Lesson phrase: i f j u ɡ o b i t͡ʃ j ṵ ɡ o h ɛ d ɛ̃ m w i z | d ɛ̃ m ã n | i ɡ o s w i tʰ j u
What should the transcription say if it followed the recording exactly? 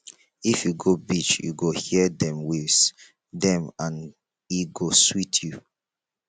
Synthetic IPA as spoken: i f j u ɡ o b i t͡ʃ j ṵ ɡ o h i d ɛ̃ m w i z | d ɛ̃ m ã n | i ɡ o s w i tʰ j u